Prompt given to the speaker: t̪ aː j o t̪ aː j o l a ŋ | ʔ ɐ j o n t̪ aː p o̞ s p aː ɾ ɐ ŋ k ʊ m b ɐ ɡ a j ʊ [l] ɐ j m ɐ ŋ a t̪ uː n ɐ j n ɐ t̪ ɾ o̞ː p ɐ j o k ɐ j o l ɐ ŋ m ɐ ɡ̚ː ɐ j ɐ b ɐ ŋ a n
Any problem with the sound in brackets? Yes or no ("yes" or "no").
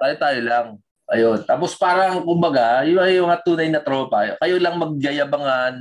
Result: yes